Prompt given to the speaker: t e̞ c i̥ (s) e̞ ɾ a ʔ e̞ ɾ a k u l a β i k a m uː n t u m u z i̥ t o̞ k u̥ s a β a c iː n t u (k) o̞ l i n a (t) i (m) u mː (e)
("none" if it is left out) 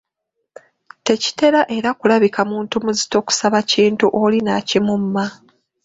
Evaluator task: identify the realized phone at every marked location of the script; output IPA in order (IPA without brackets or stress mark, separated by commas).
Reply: t, ʔ, c, m, a